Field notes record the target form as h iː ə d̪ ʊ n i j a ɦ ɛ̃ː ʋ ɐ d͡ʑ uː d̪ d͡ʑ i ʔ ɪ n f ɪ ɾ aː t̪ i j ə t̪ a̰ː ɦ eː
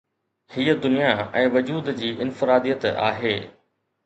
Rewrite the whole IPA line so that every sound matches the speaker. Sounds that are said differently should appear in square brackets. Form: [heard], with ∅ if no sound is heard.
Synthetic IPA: h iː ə d̪ ʊ n i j a [∅] ɛ̃ː ʋ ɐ d͡ʑ uː d̪ d͡ʑ [iː] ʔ ɪ n f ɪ ɾ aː [d̪] i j ə t̪ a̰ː ɦ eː

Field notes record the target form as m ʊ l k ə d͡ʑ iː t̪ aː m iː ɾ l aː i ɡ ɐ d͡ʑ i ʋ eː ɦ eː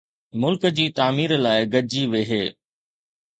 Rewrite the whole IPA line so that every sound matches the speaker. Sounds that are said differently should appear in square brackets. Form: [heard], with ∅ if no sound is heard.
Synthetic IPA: m ʊ l k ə d͡ʑ iː t̪ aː m iː ɾ l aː [ɪ] ɡ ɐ d͡ʑ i ʋ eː ɦ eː

